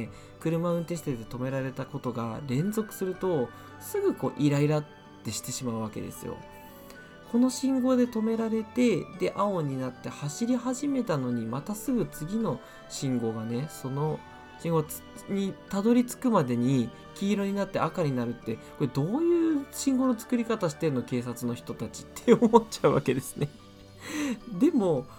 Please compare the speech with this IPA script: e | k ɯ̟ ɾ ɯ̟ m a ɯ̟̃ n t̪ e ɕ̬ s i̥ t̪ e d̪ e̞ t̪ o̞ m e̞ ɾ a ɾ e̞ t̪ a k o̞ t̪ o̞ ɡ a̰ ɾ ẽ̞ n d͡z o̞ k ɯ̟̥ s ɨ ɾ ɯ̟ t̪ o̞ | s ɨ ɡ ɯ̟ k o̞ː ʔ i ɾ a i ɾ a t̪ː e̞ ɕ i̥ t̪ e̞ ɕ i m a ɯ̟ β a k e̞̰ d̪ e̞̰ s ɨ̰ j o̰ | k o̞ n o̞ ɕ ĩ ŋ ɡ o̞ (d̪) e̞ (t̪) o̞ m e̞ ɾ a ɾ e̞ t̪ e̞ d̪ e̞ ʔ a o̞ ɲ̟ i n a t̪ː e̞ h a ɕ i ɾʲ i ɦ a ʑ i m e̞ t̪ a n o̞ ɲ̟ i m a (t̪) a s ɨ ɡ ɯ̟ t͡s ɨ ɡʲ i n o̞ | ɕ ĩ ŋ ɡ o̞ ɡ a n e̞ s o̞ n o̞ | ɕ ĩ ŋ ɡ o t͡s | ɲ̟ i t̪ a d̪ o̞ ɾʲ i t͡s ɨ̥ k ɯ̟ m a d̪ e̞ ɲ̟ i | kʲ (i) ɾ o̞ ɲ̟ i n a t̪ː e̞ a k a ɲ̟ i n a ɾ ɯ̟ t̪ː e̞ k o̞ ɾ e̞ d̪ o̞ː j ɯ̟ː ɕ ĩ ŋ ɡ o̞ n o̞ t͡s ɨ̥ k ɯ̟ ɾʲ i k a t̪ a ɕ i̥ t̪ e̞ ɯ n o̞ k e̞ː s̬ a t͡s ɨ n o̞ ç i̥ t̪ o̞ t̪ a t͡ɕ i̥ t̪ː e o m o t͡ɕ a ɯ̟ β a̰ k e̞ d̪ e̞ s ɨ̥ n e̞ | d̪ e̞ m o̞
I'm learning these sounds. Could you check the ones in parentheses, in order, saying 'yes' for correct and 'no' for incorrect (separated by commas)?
yes, yes, yes, no